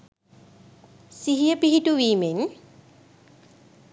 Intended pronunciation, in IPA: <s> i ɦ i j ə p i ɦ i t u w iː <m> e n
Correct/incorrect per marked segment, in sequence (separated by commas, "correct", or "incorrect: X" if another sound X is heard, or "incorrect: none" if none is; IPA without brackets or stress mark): correct, correct